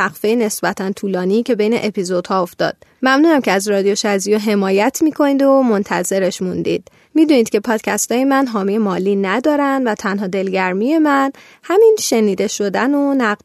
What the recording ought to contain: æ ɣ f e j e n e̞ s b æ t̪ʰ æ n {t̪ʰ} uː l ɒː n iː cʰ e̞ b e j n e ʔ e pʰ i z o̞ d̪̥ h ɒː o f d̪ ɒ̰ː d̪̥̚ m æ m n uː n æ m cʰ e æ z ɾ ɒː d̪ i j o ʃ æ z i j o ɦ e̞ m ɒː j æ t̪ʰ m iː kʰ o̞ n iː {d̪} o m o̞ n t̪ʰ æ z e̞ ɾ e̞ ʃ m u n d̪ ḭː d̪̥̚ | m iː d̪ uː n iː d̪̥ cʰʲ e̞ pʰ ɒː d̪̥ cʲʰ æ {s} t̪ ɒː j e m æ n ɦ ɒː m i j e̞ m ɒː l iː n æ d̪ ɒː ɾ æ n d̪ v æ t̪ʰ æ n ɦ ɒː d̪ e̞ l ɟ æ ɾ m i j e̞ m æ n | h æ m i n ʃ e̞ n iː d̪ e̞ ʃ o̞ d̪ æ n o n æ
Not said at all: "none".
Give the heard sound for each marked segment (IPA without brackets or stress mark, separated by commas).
t̪ʰ, d̪, s